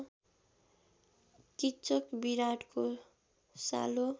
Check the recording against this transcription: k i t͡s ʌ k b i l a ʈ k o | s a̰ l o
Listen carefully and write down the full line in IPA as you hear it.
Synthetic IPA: k i t͡s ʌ k b i ɾ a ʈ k o | s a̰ l o